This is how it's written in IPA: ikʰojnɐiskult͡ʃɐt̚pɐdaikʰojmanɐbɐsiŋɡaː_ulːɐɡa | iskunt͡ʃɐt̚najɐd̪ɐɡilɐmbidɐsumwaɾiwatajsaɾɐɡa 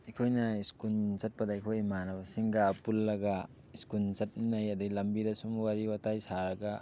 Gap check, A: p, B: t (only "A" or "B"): A